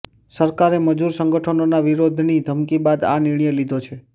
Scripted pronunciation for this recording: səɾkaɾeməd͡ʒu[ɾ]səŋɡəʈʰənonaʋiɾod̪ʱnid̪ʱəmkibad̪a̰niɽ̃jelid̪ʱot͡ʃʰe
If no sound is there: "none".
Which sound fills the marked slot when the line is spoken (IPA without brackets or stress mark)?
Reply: ɾ